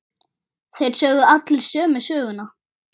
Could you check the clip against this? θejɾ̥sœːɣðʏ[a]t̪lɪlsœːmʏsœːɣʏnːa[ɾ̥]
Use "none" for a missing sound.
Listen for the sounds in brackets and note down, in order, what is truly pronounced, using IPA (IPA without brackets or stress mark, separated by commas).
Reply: a, none